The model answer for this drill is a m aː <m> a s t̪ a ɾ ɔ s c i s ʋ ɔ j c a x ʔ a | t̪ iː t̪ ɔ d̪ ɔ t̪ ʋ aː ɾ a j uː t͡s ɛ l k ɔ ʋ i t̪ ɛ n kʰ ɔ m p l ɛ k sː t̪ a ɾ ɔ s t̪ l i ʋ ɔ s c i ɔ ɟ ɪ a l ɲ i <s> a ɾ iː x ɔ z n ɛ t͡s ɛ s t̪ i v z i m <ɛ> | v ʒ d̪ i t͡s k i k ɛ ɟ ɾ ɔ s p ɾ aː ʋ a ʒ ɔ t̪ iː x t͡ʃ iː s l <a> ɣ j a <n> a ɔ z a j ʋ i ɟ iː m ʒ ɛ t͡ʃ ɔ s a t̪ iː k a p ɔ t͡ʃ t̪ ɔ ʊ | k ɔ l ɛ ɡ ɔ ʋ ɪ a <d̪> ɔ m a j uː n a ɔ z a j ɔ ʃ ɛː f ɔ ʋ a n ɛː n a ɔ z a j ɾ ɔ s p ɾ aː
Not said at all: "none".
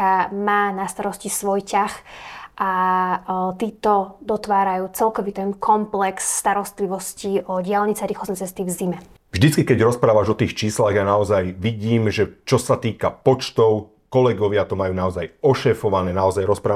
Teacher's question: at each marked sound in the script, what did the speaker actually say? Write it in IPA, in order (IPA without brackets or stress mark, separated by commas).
n, t͡s, ɛ, a, n, t̪